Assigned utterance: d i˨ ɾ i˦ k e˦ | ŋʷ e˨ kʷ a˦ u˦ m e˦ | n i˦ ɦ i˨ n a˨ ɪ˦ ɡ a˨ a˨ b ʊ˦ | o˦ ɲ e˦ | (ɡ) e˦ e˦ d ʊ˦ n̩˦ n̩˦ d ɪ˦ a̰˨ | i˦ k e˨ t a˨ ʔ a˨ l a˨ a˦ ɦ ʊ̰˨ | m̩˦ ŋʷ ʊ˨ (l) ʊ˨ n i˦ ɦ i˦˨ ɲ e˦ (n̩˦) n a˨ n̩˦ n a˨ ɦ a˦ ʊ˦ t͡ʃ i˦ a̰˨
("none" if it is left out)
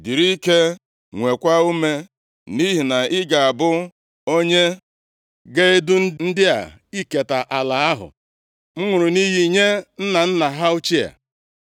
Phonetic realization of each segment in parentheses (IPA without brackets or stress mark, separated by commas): ɡ, ɾ, n̩˦